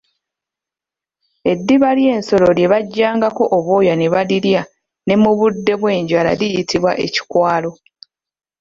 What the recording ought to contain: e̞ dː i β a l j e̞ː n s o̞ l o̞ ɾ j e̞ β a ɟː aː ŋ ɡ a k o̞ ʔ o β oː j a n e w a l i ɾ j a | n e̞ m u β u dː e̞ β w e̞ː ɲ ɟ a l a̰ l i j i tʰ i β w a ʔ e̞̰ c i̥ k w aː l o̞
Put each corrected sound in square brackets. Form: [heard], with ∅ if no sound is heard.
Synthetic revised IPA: e̞ dː i β a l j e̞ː n s o̞ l o̞ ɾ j e̞ β a ɟː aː ŋ ɡ a k o̞ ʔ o β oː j a n e [β] a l i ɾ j a | n e̞ m u β u dː e̞ β w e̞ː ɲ ɟ a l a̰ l i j i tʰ i β w a ʔ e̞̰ c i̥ k w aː l o̞